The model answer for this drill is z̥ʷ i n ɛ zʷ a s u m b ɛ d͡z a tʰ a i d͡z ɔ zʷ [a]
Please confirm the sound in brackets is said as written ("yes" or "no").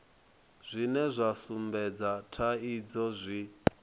no